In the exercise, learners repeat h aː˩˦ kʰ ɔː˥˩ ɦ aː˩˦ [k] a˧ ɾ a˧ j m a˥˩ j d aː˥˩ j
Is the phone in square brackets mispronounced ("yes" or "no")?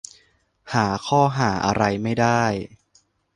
yes